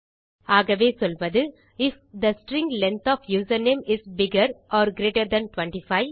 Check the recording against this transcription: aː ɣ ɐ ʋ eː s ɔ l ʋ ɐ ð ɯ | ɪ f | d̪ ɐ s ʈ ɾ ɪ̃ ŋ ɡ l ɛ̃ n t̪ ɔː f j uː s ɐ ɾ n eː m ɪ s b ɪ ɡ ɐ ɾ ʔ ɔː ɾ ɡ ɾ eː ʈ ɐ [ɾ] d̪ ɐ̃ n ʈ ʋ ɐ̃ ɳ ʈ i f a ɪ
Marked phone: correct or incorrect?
correct